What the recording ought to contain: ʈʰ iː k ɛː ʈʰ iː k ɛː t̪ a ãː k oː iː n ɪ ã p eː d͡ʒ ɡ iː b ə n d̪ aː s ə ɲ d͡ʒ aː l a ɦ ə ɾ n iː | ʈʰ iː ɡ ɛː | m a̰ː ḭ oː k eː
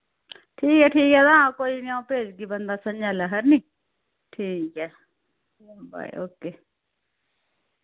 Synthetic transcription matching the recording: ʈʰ iː k ɛː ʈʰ iː k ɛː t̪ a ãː k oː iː n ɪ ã p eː d͡ʒ ɡ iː b ə n d̪ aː s ə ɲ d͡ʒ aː l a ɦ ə ɾ n iː | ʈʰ iː k ɛː | b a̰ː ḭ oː k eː